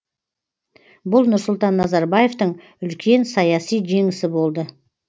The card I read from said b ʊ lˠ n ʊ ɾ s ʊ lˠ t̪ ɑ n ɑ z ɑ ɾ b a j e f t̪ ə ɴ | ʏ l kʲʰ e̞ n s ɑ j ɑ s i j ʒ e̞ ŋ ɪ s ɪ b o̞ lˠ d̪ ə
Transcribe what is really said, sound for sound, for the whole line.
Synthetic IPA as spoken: b ʊ lˠ n ʊ ɾ s ʊ lˠ t̪ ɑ nː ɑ z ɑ ɾ b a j e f t̪ ə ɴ | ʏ l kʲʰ e̞ n s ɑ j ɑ s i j ʒ e̞ ŋ ɪ s ɪ b o̞ lˠ d̪ ə